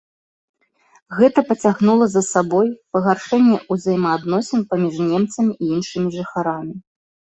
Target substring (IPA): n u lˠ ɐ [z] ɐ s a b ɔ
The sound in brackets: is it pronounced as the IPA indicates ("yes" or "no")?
yes